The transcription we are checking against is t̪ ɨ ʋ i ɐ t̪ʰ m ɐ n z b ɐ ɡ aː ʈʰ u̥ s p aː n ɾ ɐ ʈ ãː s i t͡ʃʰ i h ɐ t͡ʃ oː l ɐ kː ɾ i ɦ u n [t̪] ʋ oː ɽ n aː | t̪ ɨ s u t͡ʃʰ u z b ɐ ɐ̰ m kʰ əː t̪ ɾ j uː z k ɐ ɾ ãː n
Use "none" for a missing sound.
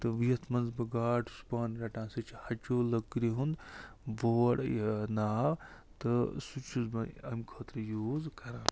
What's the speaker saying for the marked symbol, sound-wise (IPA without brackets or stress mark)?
d̪